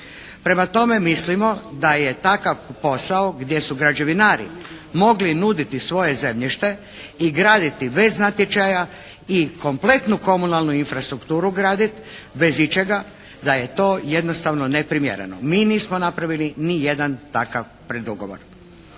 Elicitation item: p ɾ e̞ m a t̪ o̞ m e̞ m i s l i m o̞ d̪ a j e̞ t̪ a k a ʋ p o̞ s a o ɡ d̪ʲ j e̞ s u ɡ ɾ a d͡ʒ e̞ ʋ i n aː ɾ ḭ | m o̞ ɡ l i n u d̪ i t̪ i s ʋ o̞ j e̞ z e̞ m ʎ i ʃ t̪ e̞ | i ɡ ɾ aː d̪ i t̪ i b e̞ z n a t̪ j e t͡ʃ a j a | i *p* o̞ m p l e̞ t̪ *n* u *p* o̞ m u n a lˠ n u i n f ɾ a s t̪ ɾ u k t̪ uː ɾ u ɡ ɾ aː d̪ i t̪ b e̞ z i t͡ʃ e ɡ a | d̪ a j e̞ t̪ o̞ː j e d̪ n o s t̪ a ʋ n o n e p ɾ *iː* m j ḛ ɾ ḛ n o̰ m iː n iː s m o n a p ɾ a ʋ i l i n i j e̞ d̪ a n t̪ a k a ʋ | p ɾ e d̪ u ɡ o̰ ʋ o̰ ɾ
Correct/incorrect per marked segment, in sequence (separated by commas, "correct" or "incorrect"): incorrect, correct, incorrect, incorrect